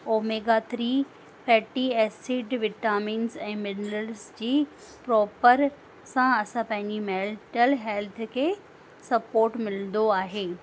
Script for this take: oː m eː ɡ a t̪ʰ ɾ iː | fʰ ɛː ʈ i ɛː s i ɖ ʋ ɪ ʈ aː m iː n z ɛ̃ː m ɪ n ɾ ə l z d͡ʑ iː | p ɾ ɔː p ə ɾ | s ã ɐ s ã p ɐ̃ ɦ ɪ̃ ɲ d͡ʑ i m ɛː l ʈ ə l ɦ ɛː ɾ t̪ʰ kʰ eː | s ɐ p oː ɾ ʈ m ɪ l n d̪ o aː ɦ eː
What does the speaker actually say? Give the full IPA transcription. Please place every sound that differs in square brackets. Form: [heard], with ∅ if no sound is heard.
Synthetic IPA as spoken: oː m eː ɡ a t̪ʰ ɾ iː | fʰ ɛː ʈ i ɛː s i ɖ ʋ ɪ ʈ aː m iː n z ɛ̃ː m ɪ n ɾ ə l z d͡ʑ iː | p ɾ ɔː p ə ɾ | s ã ɐ s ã p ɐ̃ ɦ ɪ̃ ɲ d͡ʑ i m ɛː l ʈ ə l ɦ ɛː [l] t̪ʰ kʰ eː | s ɐ p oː ɾ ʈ m ɪ l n d̪ o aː ɦ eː